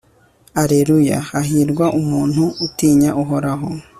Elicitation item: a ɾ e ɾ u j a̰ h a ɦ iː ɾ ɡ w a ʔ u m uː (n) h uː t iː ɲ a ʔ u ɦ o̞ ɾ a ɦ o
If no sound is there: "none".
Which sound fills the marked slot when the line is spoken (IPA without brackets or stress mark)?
n